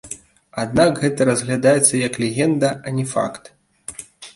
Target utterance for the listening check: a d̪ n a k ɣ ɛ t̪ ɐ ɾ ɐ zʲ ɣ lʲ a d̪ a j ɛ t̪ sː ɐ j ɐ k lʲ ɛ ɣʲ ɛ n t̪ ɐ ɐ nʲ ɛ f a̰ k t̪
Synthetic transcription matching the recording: a d̪ n a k ɣ ɛ t̪ ɐ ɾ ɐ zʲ ɣ lʲ a d̪ a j ɛ t̪ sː ɐ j ɐ k lʲ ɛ ɣʲ ɛ n d̪ ɐ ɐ nʲ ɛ f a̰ k t̪

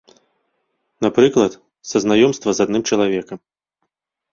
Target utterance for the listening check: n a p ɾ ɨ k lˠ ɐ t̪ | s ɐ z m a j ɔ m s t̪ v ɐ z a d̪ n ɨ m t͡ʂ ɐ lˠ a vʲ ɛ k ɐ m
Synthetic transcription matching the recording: n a p ɾ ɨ k lˠ ɐ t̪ | s ɐ z n a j ɔ m s t̪ v ɐ z a d̪ n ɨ m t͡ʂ ɐ lˠ a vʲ ɛ k ɐ m

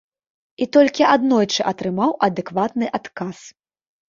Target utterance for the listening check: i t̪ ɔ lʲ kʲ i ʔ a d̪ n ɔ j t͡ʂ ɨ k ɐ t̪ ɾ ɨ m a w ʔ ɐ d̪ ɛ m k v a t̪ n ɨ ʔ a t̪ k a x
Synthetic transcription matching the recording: i t̪ ɔ lʲ kʲ i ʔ a d̪ n ɔ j t͡ʂ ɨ ʔ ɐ t̪ ɾ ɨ m a w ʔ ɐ d̪ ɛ k v a t̪ n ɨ ʔ a t̪ k a s

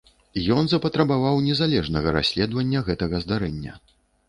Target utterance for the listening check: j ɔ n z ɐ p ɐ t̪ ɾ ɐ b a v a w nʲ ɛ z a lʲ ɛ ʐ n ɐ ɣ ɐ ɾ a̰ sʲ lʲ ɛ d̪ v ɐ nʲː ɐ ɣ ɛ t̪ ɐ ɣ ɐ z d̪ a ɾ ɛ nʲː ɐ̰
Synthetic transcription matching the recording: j ɔ n z ɐ p ɐ t̪ ɾ ɐ b a v a w nʲ ɛ z a lʲ ɛ ʐ n ɐ ɣ ɐ ɾ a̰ sʲ lʲ ɛ d̪ v ɐ nʲː ɐ ɣ ɛ t̪ ɐ ɣ ɐ z d̪ a ɾ ɛ nʲː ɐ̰

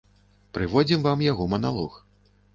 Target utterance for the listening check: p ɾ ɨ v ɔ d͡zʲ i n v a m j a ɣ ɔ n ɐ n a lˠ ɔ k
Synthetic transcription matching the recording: p ɾ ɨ v ɔ d͡zʲ i m v a m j a ɣ ɔ m ɐ n a lˠ ɔ x

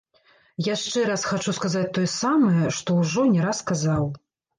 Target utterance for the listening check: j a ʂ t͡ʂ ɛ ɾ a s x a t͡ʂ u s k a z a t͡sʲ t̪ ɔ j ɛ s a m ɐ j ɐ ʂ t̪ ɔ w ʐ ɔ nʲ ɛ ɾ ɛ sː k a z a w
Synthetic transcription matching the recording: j a ʂ t͡ʂ ɛ ɾ a s x a t͡ʂ u s k a z a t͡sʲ t̪ ɔ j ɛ s a m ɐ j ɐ ʂ t̪ ɔ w ʐ ɔ nʲ ɛ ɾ a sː k a z a w

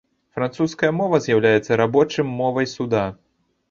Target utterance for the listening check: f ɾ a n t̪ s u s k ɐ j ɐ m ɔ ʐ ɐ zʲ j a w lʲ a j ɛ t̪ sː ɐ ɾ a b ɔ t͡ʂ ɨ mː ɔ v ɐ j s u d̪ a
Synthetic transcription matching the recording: f ɾ a n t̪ s u s k ɐ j ɐ m ɔ v ɐ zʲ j a w lʲ a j ɛ t̪ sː ɐ ɾ a b ɔ t͡ʂ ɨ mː ɔ v ɐ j s u d̪ a

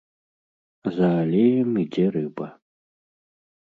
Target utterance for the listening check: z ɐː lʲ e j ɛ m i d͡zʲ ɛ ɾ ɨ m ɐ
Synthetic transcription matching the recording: z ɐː lʲ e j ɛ m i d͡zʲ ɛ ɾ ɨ b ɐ

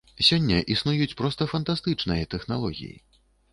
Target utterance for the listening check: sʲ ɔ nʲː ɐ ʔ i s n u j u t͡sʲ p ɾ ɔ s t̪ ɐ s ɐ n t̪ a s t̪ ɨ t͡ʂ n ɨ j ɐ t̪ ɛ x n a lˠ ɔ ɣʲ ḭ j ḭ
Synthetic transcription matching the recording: sʲ ɔ nʲː ɐ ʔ i s n u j u t͡sʲ p ɾ ɔ s t̪ ɐ f ɐ n t̪ a s t̪ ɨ t͡ʂ n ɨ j ɐ t̪ ɛ x n a lˠ ɔ ɣʲ ḭ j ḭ

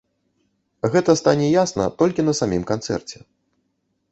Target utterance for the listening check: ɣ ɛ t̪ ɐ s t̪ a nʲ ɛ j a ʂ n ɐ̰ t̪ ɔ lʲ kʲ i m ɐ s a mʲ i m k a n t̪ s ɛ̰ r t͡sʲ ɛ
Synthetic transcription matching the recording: ɣ ɛ t̪ ɐ s t̪ a nʲ ɛ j a s n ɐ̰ t̪ ɔ lʲ kʲ i n ɐ s a mʲ i m k a n t̪ s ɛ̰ r t͡sʲ ɛ

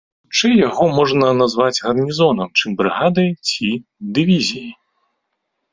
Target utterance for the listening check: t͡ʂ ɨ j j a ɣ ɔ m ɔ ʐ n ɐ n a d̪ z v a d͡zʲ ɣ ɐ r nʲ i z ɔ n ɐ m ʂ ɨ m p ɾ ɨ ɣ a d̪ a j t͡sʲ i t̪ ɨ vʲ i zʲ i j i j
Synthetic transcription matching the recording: t͡ʂ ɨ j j a ɣ ɔ m ɔ ʐ n ɐ n a z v a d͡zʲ ɣ ɐ r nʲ i z ɔ n ɐ m t͡ʂ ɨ m b ɾ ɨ ɣ a d̪ ɐ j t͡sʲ i d̪ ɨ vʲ i zʲ i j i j

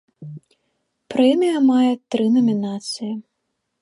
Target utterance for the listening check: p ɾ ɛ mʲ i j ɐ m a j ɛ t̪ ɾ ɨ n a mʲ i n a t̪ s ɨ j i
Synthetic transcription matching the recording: p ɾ ɛ mʲ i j ɐ m a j ɛ t̪ ɾ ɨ n ɐ mʲ i n a t̪ s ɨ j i

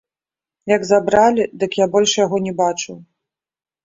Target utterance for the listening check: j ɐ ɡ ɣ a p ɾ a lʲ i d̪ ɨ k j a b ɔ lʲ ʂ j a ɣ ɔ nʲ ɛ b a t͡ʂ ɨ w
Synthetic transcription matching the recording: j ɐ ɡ z a b ɾ a lʲ i d̪ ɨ k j a b ɔ lʲ ʂ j a ɣ ɔ nʲ ɛ b a t͡ʂ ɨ w

